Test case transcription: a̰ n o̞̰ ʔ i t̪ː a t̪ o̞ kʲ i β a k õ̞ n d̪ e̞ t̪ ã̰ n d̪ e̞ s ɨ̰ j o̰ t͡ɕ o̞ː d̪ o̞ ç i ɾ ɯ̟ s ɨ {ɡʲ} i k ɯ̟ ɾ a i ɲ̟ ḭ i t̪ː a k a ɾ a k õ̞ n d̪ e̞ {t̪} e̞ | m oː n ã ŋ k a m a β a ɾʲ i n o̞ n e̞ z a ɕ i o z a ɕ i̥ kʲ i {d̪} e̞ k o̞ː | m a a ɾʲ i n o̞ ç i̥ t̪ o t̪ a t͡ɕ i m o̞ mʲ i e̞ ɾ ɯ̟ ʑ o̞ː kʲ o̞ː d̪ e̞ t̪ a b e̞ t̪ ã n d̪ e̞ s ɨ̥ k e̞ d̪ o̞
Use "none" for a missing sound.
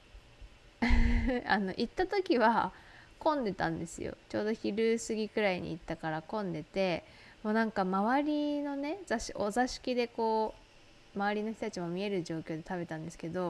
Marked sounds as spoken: ɡʲ, t̪, d̪

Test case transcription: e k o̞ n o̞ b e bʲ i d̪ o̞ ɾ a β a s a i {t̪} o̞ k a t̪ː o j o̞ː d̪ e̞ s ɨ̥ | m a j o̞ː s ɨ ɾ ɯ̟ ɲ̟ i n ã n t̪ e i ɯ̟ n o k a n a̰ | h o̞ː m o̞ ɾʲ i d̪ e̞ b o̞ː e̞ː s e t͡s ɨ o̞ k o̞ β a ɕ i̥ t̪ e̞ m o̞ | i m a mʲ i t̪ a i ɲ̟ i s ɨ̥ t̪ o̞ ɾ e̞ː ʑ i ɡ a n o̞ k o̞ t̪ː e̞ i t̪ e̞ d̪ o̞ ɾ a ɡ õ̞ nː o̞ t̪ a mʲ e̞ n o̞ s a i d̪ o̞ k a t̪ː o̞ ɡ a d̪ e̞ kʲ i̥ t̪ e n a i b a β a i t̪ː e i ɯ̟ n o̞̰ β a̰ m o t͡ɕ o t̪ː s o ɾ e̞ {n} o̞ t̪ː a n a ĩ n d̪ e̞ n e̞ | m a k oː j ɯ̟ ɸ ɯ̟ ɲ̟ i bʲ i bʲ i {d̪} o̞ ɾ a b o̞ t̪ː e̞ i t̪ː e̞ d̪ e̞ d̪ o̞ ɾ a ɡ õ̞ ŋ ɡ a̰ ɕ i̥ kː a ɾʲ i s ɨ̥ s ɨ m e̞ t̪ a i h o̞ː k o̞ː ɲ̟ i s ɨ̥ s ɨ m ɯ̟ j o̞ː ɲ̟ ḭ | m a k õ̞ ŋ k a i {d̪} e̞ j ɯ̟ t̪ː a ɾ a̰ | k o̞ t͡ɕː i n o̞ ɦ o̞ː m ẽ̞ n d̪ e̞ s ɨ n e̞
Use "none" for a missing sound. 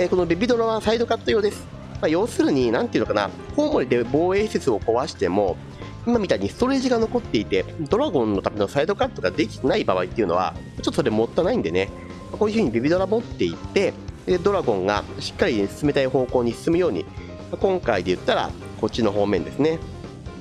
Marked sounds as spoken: d̪, m, d̪, d̪

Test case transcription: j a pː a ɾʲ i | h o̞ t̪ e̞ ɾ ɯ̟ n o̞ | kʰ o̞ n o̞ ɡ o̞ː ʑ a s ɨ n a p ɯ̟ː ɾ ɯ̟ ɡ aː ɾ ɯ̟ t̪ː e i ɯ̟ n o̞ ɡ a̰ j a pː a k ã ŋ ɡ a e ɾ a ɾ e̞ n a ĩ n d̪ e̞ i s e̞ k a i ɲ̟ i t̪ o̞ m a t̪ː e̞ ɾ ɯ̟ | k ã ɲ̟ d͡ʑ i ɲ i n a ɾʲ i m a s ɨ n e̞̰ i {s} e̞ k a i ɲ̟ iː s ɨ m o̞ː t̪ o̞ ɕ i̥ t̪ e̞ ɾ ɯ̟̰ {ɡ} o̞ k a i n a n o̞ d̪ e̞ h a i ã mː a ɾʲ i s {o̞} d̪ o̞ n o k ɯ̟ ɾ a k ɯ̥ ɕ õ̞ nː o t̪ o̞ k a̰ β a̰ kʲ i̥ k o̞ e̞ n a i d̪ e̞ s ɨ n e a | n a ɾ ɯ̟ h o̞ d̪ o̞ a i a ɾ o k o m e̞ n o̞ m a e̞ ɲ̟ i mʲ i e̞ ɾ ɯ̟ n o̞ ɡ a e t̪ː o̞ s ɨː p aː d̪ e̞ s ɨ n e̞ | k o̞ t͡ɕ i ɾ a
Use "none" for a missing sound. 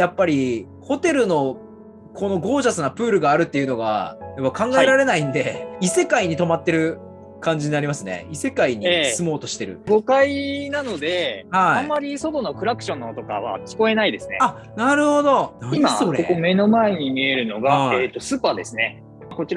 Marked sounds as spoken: s, ɡ, o̞

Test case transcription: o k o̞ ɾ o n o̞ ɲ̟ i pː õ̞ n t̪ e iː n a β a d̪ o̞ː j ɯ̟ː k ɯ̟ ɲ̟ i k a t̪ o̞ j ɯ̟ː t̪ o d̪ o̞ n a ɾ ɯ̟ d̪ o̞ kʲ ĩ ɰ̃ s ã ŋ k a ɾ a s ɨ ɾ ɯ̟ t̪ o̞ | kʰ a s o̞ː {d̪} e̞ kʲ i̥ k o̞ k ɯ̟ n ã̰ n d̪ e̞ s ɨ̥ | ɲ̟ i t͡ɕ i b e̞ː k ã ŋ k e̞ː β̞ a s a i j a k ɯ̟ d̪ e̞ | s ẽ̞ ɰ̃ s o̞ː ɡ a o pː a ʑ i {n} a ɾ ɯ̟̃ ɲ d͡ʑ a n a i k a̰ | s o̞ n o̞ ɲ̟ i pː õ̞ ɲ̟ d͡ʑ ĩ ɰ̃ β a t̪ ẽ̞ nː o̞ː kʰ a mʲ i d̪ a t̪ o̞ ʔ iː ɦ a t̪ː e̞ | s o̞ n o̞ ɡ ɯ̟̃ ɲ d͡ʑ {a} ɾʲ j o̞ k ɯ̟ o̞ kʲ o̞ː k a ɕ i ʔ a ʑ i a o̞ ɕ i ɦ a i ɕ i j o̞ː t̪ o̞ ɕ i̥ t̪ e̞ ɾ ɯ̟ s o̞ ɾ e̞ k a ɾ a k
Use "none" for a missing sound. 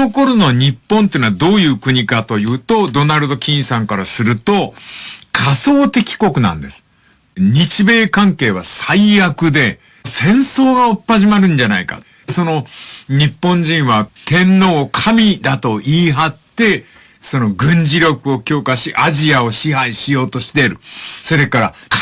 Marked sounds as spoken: t̪, m, i

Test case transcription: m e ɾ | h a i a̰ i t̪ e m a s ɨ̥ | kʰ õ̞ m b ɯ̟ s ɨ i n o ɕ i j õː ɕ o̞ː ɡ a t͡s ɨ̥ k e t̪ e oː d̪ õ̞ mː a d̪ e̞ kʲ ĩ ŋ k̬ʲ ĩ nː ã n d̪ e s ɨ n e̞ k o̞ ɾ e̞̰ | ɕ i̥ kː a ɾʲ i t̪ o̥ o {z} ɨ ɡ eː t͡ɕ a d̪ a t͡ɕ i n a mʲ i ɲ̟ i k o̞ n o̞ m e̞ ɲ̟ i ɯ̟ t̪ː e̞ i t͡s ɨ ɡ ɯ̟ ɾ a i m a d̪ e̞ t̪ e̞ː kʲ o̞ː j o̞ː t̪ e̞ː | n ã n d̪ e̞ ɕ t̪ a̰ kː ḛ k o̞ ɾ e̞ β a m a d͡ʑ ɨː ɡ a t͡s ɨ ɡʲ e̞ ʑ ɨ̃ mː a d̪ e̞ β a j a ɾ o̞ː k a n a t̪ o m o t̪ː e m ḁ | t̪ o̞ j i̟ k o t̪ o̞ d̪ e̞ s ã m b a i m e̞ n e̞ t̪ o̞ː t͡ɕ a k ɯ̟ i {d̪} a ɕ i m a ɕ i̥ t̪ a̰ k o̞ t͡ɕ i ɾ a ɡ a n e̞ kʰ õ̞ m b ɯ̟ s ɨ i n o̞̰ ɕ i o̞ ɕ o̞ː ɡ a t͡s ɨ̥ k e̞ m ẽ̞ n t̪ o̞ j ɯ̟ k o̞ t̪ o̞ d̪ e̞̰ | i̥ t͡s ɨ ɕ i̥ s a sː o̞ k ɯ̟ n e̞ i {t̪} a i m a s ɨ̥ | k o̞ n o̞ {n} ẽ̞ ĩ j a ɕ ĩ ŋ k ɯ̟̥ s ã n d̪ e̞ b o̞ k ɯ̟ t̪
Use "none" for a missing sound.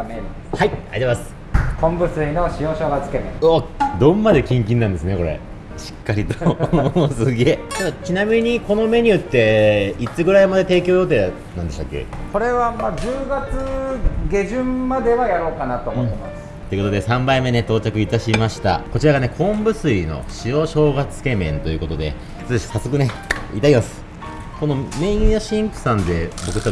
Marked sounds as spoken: s, t̪, t̪, m

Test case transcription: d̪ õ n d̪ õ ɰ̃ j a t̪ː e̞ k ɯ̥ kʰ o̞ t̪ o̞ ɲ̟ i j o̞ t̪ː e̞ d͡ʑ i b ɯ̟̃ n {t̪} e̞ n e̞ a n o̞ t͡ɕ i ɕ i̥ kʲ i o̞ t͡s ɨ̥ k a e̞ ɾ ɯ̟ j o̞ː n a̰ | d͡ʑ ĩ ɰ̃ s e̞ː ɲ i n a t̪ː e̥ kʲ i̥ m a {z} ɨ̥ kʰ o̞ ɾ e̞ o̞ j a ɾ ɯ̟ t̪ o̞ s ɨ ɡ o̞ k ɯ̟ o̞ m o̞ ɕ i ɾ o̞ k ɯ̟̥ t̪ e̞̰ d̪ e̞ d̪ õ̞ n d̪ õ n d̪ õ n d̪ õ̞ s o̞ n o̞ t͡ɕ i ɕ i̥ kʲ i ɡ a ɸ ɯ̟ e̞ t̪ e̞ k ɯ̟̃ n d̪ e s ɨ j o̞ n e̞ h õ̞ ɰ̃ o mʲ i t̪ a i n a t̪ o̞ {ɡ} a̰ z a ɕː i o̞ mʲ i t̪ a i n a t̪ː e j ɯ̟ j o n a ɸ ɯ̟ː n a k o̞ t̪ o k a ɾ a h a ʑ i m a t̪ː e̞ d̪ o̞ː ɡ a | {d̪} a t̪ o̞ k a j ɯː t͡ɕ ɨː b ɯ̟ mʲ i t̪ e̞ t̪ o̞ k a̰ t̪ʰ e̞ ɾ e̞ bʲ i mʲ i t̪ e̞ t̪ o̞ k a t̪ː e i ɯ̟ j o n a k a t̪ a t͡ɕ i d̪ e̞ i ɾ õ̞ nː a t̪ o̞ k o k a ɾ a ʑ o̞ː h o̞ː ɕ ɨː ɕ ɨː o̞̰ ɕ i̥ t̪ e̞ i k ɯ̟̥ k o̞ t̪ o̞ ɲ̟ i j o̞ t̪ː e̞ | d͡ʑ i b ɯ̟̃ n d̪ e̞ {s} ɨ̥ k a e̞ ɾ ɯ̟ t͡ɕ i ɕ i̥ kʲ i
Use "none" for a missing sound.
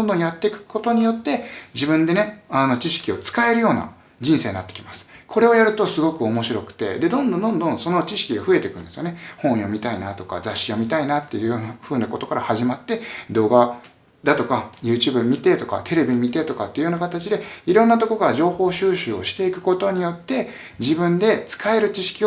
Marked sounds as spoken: d̪, s, k, d̪, t͡s

